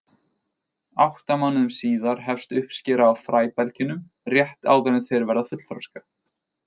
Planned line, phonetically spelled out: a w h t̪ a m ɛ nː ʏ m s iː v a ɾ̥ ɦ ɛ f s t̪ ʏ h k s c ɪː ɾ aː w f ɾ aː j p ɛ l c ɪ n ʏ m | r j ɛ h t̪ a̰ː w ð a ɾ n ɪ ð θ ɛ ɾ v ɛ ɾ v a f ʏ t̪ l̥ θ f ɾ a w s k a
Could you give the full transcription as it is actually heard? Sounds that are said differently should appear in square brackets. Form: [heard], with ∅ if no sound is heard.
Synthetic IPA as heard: a w h t̪ a m [a] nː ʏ m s iː [ð] a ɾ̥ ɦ ɛ f s t̪ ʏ h [p] s c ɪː ɾ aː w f ɾ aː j p ɛ l c ɪ n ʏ m | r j ɛ h t̪ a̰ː w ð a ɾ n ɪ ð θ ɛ ɾ v ɛ ɾ [ð] a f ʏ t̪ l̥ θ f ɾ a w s k a